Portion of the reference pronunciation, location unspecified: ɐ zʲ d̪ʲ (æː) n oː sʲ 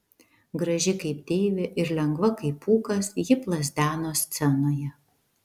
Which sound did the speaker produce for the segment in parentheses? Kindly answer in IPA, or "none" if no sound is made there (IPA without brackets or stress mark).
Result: æː